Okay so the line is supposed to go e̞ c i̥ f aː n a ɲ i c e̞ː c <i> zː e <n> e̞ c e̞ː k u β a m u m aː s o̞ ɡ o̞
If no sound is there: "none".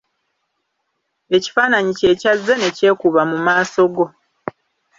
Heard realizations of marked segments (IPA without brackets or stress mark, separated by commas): a, n